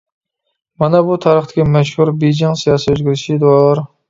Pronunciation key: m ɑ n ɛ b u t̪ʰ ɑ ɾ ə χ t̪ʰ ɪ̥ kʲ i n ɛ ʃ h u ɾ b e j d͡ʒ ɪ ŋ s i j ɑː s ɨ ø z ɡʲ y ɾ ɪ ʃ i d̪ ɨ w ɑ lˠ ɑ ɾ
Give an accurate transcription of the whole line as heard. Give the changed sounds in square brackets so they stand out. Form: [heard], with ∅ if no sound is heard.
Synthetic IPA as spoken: m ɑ n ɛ b u t̪ʰ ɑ ɾ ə χ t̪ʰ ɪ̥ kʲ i [m] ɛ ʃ h u ɾ b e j d͡ʒ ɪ ŋ s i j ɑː s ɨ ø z ɡʲ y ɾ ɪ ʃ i d̪ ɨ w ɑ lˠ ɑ ɾ